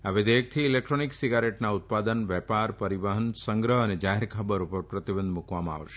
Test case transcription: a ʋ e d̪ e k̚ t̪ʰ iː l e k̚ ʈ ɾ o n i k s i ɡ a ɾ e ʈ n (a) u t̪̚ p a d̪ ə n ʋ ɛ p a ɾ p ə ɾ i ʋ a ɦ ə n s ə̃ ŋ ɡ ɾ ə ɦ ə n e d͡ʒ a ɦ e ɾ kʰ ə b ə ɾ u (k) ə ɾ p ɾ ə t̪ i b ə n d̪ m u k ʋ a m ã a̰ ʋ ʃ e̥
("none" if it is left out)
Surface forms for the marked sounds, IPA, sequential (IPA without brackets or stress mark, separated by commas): a, p